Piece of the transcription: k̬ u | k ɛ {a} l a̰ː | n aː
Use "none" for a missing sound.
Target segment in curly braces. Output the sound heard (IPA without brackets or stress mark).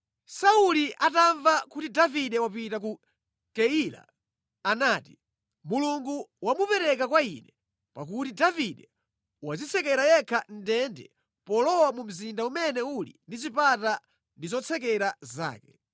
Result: i